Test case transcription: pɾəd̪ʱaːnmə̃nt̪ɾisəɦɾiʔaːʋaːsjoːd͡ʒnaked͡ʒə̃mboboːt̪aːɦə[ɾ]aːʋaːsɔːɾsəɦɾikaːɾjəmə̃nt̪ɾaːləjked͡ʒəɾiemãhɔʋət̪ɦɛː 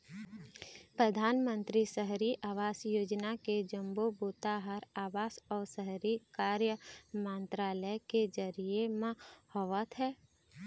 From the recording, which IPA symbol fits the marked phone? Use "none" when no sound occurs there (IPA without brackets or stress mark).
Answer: ɾ